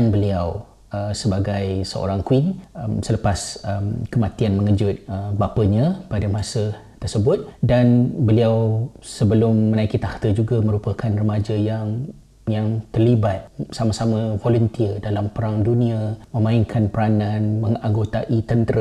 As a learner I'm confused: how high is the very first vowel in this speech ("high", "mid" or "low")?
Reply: mid